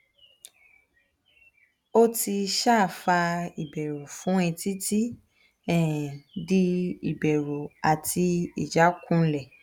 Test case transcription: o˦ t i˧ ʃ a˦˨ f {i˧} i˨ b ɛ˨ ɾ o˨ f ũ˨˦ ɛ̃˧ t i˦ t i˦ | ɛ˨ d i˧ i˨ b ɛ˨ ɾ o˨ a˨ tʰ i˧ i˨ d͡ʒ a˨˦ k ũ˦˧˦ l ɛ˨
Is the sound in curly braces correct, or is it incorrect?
incorrect